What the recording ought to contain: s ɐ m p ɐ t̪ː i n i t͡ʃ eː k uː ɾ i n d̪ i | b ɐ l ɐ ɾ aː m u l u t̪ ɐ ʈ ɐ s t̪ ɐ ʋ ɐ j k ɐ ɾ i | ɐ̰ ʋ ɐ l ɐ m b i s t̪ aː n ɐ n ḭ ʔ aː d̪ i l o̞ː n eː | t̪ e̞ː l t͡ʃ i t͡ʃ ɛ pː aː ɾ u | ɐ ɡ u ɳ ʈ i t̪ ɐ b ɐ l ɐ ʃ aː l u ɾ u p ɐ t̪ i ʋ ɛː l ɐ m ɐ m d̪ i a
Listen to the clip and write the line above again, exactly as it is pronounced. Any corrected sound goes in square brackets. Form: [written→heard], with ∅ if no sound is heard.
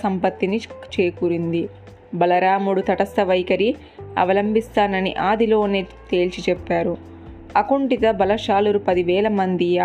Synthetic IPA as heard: s ɐ m p ɐ t̪ː i n i t͡ʃ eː k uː ɾ i n d̪ i | b ɐ l ɐ ɾ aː m u [l→ɽ] u t̪ ɐ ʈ ɐ s t̪ ɐ ʋ ɐ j k ɐ ɾ i | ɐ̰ ʋ ɐ l ɐ m b i s t̪ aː n ɐ n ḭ ʔ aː d̪ i l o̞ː n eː | t̪ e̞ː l t͡ʃ i t͡ʃ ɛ pː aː ɾ u | ɐ [ɡ→k] u ɳ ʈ i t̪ ɐ b ɐ l ɐ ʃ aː l u ɾ u p ɐ [t̪→d̪] i ʋ ɛː l ɐ m ɐ [m→n] d̪ i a